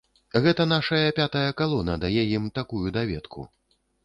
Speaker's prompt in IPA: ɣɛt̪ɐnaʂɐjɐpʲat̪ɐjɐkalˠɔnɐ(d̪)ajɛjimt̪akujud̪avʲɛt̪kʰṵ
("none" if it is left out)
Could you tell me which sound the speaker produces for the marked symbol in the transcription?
d̪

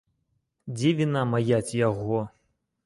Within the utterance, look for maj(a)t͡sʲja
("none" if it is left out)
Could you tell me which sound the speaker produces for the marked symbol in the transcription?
a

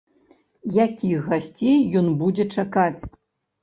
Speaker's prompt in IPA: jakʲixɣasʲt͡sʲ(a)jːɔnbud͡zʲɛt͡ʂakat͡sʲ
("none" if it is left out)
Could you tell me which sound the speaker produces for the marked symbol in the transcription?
e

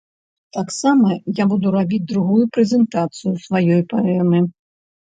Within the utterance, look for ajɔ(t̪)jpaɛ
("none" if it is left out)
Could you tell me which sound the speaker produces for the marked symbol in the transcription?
none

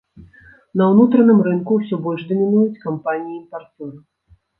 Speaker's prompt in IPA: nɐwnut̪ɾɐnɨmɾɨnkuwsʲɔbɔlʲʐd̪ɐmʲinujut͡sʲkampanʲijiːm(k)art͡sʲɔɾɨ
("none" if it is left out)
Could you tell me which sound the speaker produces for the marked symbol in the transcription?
p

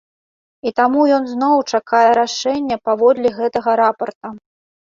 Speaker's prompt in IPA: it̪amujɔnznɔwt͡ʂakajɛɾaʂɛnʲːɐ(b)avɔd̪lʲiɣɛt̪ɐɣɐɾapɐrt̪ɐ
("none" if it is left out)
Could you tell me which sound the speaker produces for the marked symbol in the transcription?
p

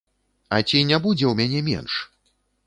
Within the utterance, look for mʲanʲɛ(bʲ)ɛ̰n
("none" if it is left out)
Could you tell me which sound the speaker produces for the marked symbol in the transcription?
mʲ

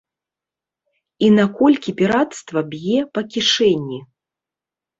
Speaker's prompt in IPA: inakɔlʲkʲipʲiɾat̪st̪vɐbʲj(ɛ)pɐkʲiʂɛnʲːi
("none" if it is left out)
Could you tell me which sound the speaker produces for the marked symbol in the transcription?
ɛ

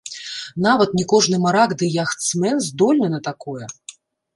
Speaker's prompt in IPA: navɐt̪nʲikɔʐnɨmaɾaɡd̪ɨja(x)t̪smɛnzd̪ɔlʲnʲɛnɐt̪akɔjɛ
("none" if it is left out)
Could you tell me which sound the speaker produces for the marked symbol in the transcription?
x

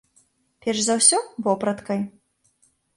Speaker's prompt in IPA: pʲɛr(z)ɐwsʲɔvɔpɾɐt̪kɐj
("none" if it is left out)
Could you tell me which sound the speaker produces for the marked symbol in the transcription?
z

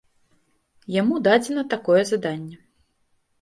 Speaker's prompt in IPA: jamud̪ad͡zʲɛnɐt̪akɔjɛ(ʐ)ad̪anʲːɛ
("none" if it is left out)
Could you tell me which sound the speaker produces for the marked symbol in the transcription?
z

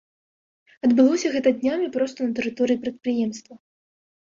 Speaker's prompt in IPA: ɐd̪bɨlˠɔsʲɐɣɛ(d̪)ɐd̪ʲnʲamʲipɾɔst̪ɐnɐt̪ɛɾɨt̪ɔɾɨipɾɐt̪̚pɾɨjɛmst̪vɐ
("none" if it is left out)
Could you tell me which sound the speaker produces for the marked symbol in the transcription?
t̪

